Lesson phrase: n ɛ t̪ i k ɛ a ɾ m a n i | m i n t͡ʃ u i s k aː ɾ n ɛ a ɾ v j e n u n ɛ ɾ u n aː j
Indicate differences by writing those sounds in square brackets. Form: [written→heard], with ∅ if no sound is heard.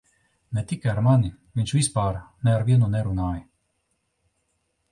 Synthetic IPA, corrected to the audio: n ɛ t̪ i k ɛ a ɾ m a n i | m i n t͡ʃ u i s [k→p] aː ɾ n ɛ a ɾ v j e n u n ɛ ɾ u n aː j